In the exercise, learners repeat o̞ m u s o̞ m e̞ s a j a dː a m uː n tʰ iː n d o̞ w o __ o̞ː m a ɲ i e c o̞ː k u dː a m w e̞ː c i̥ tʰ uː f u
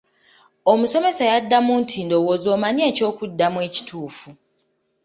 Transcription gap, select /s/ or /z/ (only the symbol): z